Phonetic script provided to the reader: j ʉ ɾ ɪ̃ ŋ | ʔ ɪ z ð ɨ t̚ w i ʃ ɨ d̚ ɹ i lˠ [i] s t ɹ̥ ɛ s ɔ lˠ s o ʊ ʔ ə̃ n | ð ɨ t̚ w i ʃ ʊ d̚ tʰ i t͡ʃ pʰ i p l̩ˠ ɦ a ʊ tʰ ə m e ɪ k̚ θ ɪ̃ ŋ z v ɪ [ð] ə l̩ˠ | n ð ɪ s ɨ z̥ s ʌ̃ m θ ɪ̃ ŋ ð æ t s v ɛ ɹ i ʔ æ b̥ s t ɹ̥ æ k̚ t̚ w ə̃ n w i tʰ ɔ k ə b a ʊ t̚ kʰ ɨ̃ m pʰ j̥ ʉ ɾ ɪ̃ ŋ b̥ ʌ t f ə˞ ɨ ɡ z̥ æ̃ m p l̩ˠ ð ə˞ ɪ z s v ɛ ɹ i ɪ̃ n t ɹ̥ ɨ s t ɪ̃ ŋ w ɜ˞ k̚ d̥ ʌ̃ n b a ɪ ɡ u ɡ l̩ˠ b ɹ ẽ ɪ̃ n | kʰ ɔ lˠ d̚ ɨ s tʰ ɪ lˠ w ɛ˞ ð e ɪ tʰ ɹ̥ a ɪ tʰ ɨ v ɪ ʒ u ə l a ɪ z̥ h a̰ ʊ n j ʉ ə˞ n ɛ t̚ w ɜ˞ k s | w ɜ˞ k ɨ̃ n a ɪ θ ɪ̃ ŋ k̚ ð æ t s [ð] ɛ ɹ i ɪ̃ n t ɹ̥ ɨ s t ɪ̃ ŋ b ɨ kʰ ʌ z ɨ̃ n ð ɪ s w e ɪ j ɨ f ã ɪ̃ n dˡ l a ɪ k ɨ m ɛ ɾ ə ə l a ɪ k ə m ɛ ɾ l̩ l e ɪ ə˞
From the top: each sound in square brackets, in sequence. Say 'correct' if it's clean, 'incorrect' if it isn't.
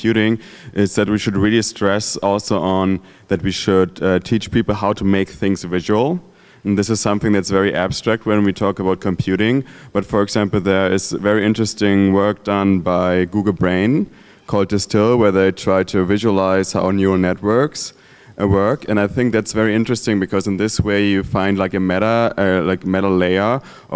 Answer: correct, incorrect: ʒ, incorrect: v

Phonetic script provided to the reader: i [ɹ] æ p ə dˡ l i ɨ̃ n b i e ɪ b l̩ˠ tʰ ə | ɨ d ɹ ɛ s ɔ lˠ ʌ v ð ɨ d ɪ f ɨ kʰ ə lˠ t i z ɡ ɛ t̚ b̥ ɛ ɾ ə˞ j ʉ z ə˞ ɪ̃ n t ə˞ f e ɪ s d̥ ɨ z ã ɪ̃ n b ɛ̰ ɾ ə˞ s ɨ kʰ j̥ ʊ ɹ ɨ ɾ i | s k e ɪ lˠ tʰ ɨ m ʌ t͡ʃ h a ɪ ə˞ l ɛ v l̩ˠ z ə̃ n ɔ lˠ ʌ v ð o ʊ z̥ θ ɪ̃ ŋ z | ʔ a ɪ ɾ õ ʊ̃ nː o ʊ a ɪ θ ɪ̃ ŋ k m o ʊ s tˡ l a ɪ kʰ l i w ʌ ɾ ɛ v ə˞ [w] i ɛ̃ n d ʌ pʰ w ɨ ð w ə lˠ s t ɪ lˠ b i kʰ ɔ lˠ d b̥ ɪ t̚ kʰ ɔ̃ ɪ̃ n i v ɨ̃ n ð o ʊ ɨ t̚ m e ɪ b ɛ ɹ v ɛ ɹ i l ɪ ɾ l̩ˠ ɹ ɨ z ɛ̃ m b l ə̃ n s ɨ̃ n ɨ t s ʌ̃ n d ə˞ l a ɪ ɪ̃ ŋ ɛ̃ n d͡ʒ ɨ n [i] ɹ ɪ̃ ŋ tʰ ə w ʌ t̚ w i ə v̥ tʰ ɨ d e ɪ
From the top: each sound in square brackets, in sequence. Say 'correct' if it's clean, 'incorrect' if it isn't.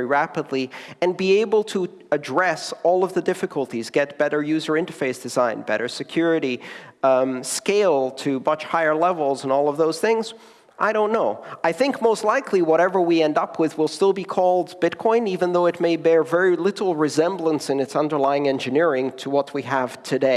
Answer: correct, correct, incorrect: ɪ

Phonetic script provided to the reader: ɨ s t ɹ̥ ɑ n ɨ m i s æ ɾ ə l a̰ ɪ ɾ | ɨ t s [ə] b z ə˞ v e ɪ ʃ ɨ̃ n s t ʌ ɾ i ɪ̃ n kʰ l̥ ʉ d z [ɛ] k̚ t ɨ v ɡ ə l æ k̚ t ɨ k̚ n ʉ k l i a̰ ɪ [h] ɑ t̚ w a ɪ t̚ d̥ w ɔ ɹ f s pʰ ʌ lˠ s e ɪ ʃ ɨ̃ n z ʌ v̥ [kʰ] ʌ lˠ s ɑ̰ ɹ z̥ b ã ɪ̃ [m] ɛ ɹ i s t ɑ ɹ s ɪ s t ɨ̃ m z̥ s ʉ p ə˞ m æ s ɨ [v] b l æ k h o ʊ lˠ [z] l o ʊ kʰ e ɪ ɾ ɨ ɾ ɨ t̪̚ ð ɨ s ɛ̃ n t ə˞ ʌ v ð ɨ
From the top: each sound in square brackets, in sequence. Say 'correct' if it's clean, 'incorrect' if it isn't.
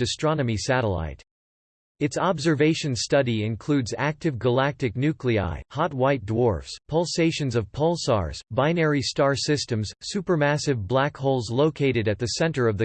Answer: incorrect: ɑ, incorrect: æ, correct, incorrect: pʰ, incorrect: n, correct, correct

